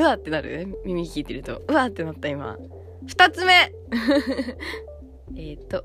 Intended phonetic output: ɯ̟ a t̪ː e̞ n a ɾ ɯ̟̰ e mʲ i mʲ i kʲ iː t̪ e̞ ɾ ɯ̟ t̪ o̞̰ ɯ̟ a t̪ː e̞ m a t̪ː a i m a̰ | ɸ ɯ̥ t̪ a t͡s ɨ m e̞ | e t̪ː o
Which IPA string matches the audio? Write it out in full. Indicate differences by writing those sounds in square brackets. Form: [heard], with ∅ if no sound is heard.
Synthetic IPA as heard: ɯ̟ a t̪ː e̞ n a ɾ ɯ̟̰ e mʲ i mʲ i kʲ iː t̪ e̞ ɾ ɯ̟ t̪ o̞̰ ɯ̟ a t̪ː e̞ [n] a t̪ː a i m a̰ | ɸ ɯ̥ t̪ a t͡s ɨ m e̞ | e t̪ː o